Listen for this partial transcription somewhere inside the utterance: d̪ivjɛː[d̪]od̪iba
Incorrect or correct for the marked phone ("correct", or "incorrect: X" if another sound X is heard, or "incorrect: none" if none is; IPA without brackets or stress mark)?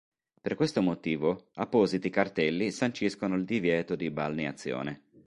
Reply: incorrect: t̪